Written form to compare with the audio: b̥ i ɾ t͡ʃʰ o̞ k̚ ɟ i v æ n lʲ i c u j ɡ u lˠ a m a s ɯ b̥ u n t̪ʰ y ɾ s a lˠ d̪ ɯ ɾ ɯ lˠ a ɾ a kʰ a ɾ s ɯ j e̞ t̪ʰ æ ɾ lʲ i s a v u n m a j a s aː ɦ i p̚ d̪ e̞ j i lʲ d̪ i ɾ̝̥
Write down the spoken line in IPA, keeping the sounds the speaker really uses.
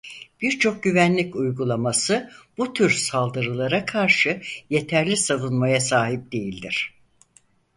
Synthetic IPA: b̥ i ɾ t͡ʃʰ o̞ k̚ ɟ y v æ n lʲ i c u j ɡ u lˠ a m a s ɯ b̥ u t̪ʰ y ɾ s a lˠ d̪ ɯ ɾ ɯ lˠ a ɾ a kʰ a ɾ ʃ ɯ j e̞ t̪ʰ æ ɾ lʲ i s a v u n m a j a s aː ɦ i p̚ d̪ e̞ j i lʲ d̪ i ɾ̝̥